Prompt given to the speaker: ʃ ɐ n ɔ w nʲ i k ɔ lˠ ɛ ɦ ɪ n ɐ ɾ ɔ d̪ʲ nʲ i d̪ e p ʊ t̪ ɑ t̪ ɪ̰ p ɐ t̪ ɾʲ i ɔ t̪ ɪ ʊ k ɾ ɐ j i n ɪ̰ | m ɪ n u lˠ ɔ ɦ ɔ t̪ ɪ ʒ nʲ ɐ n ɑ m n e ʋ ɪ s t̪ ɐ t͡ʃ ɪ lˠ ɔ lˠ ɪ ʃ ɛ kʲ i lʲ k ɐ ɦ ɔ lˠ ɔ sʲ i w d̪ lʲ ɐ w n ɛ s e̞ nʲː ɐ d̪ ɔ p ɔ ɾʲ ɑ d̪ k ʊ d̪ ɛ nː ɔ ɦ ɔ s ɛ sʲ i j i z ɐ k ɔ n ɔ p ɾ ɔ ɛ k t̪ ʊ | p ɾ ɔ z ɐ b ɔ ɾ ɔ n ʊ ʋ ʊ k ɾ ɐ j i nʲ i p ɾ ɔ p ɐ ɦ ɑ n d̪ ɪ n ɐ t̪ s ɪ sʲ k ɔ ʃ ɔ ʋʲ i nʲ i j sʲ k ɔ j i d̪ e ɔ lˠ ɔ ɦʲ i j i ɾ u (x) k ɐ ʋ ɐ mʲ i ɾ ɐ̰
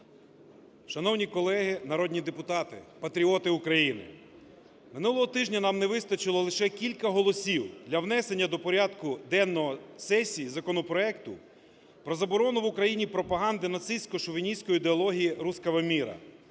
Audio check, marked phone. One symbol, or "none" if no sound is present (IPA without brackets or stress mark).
s